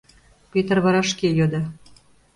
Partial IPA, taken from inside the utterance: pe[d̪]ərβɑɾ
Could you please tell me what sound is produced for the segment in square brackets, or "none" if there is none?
t̪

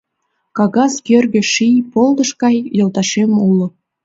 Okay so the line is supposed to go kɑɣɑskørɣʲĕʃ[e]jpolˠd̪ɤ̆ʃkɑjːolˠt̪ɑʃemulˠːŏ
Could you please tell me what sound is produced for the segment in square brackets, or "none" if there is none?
i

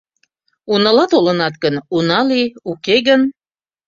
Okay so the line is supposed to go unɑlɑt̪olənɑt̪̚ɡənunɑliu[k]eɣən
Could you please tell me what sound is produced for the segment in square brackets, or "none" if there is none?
k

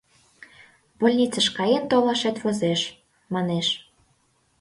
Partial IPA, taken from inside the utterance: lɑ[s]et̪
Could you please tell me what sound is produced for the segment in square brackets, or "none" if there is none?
ʃ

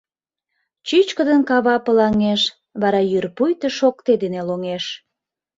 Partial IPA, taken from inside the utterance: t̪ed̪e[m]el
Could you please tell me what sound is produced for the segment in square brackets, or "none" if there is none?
n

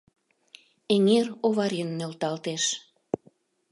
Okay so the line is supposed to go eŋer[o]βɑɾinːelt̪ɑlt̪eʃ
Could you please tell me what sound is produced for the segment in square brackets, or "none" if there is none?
o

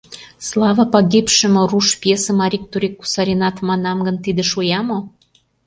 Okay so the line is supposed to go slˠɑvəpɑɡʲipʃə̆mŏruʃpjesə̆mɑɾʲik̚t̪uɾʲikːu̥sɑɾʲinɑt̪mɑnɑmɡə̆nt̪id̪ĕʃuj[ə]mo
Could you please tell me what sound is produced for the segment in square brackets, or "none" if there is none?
ɑ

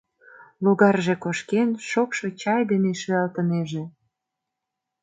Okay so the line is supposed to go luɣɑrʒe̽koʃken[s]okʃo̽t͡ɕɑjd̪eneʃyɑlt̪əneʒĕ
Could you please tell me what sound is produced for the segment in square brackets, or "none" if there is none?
ʃ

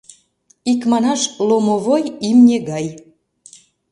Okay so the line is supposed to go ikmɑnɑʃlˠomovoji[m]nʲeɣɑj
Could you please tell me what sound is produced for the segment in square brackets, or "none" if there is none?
m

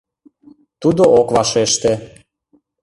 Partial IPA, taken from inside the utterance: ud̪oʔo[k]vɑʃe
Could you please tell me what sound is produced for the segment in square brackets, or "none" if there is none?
k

